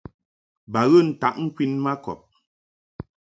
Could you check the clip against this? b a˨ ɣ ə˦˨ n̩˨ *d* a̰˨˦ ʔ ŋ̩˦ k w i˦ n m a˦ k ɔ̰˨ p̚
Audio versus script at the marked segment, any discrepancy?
yes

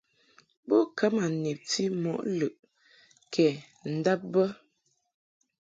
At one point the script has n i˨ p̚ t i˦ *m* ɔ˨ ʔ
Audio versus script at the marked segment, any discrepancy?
no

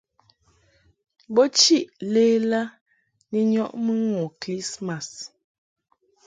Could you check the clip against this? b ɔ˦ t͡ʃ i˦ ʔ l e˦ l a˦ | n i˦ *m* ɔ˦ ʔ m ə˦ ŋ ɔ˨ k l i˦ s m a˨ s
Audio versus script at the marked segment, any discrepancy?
yes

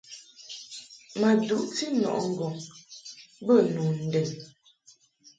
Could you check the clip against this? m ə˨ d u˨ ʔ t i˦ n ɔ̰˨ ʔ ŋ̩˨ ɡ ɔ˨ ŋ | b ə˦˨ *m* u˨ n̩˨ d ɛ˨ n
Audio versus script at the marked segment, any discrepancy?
yes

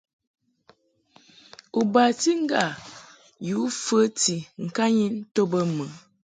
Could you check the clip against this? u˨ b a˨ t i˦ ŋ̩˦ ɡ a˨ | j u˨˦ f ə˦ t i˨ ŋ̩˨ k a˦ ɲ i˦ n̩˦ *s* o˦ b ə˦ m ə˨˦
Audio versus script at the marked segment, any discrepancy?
yes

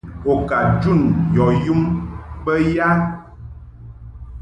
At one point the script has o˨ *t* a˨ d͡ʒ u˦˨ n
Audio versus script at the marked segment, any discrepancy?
yes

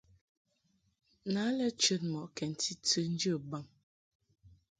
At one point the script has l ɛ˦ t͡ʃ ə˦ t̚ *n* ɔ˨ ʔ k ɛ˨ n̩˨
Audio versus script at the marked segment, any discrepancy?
yes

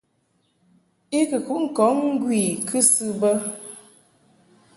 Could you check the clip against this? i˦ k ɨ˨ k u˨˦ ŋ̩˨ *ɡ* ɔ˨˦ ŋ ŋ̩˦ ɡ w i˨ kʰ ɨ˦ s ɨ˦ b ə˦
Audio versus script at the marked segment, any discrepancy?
yes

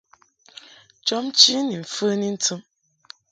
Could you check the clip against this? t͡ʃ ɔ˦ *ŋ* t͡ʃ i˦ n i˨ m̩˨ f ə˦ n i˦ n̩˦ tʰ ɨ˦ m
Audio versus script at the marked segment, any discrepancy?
yes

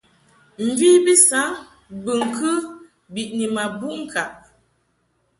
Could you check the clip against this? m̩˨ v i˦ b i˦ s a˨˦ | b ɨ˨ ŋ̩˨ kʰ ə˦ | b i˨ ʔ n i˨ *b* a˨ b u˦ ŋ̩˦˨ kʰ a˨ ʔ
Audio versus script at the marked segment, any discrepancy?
yes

